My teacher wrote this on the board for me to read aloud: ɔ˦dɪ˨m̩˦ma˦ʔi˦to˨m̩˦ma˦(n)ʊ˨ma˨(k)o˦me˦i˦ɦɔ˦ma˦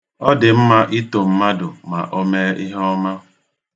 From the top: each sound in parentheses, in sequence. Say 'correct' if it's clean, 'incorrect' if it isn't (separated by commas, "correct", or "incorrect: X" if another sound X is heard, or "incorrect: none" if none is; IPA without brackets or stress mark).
incorrect: d, incorrect: ʔ